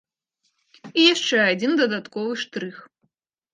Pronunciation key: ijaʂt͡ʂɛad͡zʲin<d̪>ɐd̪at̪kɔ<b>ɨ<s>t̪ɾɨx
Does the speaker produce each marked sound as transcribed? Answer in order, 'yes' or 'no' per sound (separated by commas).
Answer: yes, no, no